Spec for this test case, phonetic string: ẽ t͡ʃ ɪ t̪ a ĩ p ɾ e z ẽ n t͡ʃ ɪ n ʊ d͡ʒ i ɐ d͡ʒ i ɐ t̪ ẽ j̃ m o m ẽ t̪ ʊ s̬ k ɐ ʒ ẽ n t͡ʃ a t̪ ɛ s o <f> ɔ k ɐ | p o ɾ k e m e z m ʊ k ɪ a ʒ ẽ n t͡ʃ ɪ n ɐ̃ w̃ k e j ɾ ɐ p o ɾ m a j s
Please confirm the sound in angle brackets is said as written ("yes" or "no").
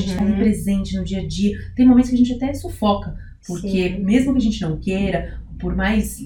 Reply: yes